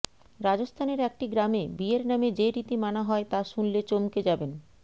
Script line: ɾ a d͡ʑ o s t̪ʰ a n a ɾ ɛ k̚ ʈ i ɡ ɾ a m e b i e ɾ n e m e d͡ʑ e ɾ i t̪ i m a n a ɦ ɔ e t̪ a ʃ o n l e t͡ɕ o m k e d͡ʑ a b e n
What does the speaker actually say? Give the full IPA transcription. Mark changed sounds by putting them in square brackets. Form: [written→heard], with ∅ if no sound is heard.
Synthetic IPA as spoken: ɾ a d͡ʑ o s t̪ʰ a n [a→e] ɾ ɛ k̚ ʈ i ɡ ɾ a m e b i e ɾ n [e→a] m e d͡ʑ e ɾ i t̪ i m a n a ɦ ɔ e t̪ a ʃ [o→u] n l e t͡ɕ o m k e d͡ʑ a b e n